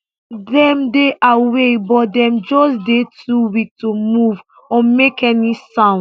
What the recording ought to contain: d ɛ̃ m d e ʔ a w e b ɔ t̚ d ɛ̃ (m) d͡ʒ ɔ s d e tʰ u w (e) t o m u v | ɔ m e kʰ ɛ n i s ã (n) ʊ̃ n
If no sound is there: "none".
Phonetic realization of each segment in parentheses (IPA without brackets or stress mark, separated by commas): m, i, none